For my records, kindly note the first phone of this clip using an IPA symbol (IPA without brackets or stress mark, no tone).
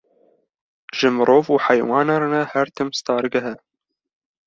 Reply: ʒ